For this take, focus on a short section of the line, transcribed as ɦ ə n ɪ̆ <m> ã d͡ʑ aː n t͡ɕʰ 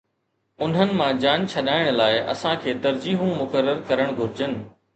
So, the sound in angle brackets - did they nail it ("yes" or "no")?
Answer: yes